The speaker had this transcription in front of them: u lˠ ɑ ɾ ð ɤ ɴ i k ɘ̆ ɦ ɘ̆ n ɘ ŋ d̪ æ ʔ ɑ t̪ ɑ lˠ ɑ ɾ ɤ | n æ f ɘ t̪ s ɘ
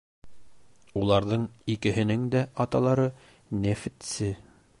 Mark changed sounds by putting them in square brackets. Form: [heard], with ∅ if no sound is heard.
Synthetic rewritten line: u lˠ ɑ ɾ ð ɤ ɴ i k ɘ̆ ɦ ɘ̆ n ɘ ŋ d̪ æ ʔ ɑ t̪ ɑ lˠ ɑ ɾ ɤ | n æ f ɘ t̪ s ɘ